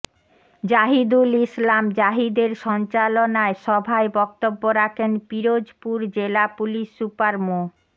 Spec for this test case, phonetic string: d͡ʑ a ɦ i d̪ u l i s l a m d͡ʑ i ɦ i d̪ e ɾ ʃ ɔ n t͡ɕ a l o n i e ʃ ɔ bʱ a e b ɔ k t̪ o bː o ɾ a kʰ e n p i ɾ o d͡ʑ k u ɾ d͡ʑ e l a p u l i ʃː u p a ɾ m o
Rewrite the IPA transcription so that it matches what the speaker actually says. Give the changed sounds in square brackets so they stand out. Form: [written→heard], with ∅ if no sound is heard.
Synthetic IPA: d͡ʑ a ɦ i d̪ u l i s l a m d͡ʑ [i→a] ɦ i d̪ e ɾ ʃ ɔ n t͡ɕ a l o n [i→a] e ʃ ɔ bʱ a e b ɔ k t̪ o bː o ɾ a kʰ e n p i ɾ o d͡ʑ [k→p] u ɾ d͡ʑ e l a p u l i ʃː u p a ɾ m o